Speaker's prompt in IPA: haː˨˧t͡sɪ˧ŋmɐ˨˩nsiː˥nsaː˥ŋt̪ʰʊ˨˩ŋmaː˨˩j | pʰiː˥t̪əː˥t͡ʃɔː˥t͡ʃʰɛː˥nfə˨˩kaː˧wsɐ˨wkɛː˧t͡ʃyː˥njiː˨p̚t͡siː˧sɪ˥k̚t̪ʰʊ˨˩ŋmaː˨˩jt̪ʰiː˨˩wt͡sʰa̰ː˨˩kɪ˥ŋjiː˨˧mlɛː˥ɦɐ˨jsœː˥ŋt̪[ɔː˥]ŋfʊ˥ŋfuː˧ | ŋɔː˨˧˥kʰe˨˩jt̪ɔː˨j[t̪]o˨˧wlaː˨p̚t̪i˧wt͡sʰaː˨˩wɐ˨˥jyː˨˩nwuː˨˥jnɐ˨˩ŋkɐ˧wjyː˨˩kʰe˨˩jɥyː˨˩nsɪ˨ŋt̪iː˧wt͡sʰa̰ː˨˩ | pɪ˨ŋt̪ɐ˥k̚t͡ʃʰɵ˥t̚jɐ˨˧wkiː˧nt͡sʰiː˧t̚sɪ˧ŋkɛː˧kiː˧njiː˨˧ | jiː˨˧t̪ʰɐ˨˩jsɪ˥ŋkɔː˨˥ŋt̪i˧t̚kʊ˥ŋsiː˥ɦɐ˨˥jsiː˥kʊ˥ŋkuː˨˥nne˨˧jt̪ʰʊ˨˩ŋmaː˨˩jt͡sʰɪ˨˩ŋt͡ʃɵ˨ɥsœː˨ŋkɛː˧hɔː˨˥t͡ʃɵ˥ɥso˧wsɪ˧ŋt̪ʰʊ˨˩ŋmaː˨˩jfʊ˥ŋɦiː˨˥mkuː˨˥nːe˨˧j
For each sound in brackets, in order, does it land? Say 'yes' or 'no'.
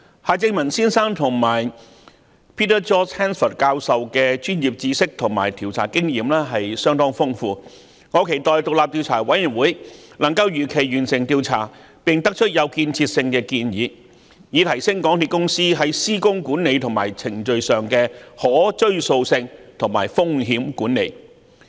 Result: yes, yes

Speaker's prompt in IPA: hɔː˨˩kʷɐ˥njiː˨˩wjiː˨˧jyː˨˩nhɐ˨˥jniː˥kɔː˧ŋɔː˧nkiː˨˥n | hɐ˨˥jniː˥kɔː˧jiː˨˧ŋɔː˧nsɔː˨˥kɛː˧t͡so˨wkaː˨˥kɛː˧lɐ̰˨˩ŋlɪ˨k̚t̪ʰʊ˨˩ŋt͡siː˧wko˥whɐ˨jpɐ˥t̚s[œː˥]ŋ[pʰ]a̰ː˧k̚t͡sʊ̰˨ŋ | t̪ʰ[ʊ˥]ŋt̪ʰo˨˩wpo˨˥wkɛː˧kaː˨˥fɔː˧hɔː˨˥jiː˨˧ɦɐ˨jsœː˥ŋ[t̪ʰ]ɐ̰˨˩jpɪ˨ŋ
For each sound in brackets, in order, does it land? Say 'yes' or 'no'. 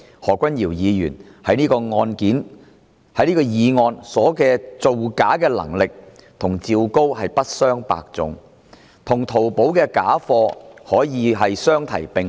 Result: yes, no, no, yes

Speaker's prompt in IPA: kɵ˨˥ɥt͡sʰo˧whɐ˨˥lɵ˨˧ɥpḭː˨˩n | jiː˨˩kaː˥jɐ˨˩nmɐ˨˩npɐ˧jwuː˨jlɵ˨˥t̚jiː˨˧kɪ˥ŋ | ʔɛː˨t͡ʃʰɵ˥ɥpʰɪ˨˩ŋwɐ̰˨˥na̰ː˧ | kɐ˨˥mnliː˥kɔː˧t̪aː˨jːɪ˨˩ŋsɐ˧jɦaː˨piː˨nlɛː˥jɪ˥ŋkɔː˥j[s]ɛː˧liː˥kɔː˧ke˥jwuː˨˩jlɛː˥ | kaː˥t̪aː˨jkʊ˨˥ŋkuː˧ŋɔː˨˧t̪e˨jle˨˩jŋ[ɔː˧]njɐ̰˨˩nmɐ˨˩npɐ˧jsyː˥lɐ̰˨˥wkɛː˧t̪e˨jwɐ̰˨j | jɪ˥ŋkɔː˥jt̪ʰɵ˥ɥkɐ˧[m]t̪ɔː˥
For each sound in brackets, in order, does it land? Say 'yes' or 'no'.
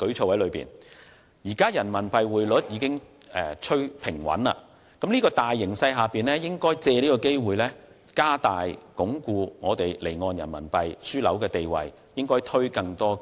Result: no, yes, no

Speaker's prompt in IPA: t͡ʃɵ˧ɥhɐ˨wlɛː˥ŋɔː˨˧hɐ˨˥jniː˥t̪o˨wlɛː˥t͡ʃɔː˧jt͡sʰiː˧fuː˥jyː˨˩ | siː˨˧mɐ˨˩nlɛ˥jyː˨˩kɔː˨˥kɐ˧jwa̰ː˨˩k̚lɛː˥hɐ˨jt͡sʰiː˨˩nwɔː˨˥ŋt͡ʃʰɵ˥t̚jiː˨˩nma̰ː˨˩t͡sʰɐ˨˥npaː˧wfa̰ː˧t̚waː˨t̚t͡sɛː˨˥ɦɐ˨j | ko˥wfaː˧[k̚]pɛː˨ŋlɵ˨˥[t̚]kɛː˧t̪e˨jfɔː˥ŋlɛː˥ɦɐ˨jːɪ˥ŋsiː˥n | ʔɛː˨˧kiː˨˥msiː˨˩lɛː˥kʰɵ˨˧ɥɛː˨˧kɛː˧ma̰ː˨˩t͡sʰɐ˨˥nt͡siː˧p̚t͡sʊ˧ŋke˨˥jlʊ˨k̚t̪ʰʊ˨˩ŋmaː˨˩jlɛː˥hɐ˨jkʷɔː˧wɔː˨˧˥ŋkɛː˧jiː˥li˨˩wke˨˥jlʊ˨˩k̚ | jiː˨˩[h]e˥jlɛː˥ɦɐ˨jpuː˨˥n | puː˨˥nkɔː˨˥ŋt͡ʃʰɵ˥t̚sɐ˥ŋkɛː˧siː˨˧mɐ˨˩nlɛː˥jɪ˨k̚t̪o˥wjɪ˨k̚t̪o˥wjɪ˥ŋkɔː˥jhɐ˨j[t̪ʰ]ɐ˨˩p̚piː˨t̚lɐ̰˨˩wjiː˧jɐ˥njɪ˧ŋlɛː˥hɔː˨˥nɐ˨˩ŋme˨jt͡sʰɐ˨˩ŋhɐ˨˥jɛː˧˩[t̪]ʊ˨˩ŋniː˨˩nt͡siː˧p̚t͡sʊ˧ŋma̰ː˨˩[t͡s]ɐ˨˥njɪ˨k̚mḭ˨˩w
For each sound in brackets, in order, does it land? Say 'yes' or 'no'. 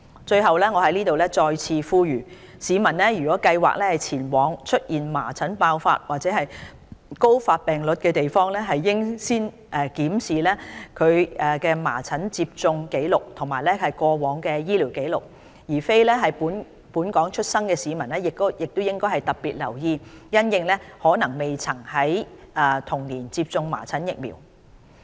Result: no, yes, no, no, no, no

